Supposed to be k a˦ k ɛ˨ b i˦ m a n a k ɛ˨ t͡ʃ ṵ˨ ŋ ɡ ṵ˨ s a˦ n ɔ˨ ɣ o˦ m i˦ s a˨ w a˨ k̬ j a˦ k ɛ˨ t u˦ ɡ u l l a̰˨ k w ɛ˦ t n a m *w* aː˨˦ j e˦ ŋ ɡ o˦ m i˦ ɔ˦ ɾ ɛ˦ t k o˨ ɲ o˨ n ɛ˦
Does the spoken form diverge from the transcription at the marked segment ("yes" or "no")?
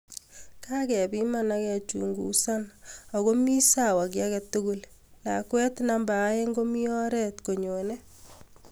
yes